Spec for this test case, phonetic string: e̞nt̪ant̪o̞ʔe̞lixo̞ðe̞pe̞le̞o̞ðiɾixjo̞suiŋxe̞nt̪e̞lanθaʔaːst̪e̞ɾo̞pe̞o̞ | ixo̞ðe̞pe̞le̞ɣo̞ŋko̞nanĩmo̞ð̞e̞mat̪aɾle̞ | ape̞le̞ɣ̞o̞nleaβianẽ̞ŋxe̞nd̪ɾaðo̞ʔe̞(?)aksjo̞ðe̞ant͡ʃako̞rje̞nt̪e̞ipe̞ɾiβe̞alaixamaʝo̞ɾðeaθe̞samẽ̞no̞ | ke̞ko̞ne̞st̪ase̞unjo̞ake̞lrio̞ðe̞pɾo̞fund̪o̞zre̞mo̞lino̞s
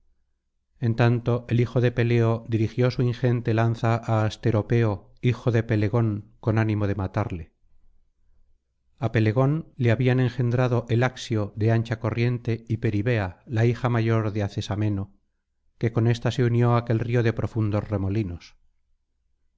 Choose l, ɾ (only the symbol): l